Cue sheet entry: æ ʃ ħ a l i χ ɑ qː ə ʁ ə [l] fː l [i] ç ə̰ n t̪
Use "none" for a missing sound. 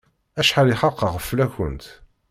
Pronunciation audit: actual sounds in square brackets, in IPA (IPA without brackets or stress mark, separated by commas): none, æ